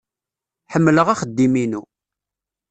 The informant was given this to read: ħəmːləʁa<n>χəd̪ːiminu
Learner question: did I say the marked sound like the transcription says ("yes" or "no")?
no